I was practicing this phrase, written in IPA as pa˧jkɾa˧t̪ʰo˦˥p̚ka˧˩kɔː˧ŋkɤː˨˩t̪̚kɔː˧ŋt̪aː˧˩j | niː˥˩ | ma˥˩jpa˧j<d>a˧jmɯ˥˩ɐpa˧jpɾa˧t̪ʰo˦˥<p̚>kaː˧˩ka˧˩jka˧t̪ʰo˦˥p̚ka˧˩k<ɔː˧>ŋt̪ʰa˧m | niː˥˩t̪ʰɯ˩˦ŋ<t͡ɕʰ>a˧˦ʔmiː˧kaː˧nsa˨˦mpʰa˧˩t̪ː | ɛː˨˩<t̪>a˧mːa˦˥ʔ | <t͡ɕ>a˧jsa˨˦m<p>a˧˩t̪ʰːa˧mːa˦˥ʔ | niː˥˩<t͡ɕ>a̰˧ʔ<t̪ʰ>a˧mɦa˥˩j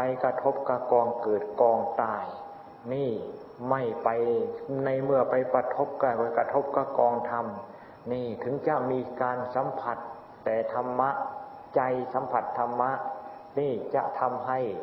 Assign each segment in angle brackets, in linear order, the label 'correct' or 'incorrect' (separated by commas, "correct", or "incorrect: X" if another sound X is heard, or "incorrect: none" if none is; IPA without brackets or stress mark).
incorrect: n, correct, correct, incorrect: t͡ɕ, incorrect: t̪ʰ, correct, incorrect: pʰ, correct, correct